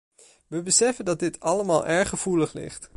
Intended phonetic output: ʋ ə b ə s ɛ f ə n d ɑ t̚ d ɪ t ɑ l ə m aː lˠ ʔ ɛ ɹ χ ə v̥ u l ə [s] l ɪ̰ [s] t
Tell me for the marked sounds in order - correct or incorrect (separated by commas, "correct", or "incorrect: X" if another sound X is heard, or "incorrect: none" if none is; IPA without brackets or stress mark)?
incorrect: χ, incorrect: χ